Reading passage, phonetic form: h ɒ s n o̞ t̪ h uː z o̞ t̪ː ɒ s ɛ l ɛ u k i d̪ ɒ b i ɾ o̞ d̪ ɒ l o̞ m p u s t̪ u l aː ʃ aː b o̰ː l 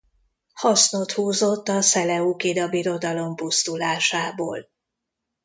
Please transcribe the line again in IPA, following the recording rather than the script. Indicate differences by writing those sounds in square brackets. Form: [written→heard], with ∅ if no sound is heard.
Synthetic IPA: h ɒ s n o̞ t̪ h uː z o̞ t̪ː ɒ s ɛ l ɛ u k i d̪ ɒ b i ɾ o̞ d̪ ɒ l o̞ m p u s t̪ u l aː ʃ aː b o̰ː l